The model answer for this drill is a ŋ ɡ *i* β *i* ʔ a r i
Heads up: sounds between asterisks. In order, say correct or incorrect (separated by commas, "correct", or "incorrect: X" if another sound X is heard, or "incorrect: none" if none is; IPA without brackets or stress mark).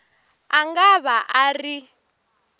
incorrect: a, incorrect: a